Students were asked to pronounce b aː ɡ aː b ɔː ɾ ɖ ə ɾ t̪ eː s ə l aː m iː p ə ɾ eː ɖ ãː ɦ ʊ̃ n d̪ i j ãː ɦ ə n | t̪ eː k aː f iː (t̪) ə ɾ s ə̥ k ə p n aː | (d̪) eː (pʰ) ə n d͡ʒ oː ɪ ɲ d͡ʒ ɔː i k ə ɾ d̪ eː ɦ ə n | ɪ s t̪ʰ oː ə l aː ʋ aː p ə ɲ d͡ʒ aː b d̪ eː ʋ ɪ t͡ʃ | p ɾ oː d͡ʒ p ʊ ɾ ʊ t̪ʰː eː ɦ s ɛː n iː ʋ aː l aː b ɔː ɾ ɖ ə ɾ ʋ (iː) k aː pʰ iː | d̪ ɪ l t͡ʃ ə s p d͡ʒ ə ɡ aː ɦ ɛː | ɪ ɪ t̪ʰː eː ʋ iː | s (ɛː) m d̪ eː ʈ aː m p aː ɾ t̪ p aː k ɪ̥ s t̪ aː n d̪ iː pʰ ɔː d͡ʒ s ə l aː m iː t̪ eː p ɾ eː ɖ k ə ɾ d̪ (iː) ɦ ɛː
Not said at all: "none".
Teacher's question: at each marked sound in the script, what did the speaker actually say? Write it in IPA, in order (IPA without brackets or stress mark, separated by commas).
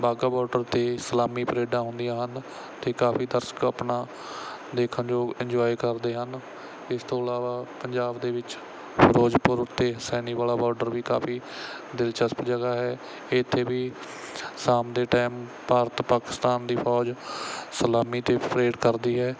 d̪, d̪, kʰ, iː, aː, iː